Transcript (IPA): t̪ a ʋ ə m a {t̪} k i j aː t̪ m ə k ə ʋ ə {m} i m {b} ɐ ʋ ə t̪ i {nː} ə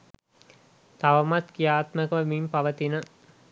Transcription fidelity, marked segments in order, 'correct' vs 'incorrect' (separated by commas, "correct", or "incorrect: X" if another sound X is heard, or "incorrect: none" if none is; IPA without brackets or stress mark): correct, correct, incorrect: p, incorrect: n